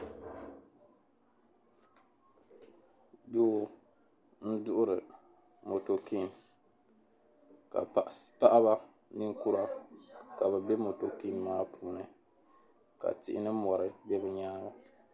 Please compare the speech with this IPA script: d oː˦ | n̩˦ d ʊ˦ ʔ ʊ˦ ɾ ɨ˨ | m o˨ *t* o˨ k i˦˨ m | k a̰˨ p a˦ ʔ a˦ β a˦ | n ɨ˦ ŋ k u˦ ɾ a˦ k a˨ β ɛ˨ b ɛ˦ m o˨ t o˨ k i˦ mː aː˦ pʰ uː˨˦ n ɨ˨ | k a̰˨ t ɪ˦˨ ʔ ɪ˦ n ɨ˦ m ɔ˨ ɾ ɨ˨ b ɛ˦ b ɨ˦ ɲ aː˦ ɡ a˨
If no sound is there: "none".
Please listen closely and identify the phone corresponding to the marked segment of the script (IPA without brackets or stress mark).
t